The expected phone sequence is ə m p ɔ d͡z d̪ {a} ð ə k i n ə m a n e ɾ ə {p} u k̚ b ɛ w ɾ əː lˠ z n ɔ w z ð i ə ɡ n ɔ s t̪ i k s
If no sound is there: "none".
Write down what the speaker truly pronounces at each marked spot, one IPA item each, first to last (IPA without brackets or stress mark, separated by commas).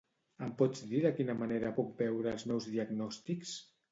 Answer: i, p